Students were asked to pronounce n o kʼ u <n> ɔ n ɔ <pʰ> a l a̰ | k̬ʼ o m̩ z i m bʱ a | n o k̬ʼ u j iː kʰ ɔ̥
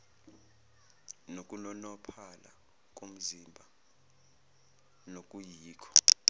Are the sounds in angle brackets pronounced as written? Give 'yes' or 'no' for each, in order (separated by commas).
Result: yes, yes